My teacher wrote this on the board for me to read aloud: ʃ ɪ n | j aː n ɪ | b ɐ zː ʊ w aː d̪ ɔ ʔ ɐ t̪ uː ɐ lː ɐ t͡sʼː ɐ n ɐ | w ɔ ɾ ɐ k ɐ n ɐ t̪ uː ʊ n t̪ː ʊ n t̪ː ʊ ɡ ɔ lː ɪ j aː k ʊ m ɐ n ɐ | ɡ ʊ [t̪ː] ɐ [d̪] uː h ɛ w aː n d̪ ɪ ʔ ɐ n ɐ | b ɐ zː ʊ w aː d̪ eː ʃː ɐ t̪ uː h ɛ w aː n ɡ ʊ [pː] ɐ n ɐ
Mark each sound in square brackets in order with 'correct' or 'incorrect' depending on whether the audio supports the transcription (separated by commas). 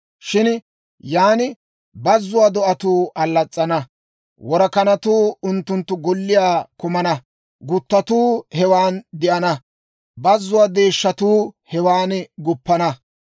correct, incorrect, correct